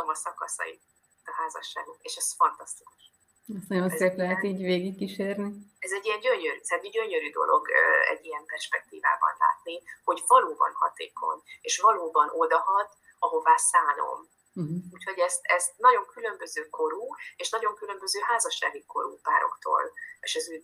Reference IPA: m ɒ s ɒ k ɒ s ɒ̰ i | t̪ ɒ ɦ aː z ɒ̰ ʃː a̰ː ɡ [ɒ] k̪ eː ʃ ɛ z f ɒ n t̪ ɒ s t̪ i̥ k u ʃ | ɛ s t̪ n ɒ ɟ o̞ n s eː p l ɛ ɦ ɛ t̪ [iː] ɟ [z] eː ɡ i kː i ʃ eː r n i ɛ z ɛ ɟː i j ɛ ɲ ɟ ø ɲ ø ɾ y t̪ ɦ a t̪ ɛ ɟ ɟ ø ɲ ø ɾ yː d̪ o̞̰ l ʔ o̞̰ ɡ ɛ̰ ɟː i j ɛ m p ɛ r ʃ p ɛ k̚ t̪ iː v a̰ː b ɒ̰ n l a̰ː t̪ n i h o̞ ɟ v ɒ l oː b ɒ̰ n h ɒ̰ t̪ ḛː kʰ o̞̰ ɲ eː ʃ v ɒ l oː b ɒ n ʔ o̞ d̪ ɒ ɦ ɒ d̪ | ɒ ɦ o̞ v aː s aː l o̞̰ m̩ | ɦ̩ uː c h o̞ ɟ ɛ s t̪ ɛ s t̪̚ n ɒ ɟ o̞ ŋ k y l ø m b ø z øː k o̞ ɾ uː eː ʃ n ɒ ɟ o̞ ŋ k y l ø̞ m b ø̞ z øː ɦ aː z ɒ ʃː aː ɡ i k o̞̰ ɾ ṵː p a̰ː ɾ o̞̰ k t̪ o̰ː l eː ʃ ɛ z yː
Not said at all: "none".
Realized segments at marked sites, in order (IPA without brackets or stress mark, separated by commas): o, iː, v